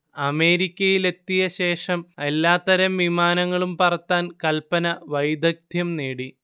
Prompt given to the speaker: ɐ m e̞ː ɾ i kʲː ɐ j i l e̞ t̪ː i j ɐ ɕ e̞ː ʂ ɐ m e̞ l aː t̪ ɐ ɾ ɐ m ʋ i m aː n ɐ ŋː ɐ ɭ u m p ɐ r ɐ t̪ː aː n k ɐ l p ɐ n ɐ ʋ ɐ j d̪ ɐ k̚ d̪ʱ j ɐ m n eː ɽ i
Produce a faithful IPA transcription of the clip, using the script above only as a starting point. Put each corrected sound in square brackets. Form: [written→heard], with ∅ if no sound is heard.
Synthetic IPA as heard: ɐ m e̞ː ɾ i kʲː ɐ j i l e̞ t̪ː i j ɐ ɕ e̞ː ʂ ɐ m e̞ [l→lː] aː t̪ ɐ ɾ ɐ m ʋ i m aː n ɐ ŋː ɐ ɭ u m p ɐ r ɐ t̪ː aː n k ɐ l p ɐ n ɐ ʋ ɐ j d̪ ɐ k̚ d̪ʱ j ɐ m n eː ɽ i